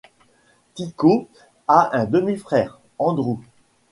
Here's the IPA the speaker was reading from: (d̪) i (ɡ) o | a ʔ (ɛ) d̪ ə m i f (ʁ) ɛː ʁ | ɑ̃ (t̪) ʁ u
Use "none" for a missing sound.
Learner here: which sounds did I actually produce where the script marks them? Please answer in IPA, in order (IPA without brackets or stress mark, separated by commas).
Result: t̪, k, ɛ̃, χ, d̪